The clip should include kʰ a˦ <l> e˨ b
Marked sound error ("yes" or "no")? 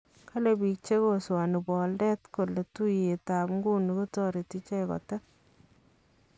no